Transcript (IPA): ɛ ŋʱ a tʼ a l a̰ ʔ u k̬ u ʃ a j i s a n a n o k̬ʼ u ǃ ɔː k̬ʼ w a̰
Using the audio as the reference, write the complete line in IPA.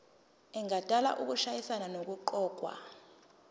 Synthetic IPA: ɛ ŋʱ a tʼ a l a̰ ʔ u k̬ u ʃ a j i s a n a n o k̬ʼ u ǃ ɔː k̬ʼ w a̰